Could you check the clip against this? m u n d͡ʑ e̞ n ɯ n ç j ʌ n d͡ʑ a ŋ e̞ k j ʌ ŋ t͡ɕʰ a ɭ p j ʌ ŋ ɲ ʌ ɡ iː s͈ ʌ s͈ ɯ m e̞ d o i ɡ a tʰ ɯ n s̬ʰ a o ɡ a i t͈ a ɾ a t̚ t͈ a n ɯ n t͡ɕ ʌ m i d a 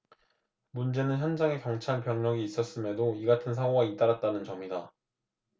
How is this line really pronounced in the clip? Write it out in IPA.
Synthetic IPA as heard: m u n d͡ʑ e̞ n ɯ n ç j ʌ n d͡ʑ a ŋ e̞ k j ʌ ŋ t͡ɕʰ a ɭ p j ʌ ŋ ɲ ʌ ɡ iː s͈ ʌ s͈ ɯ m e̞ d o i ɡ a tʰ ɯ n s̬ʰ a o ɡ a i t͈ a ɾ a t̚ t͈ a n ɯ n t͡ɕ ʌ m i d a

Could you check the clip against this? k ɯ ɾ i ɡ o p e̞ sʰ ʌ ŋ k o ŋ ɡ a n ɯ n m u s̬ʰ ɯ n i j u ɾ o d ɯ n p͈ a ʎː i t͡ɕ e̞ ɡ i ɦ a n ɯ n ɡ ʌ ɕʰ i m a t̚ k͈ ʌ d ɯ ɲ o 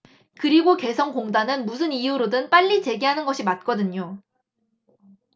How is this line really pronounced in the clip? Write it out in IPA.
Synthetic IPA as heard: k ɯ ɾ i ɡ o k e̞ sʰ ʌ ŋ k o ŋ d a n ɯ n m u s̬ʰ ɯ n i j u ɾ o d ɯ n p͈ a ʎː i t͡ɕ e̞ ɡ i ɦ a n ɯ n ɡ ʌ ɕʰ i m a t̚ k͈ ʌ d ɯ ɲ o

